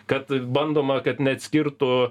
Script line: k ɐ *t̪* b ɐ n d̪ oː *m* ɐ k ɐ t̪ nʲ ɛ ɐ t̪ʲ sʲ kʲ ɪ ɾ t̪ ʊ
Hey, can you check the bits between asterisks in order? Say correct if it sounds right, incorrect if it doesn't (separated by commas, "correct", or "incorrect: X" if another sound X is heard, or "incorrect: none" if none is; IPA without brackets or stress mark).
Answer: correct, correct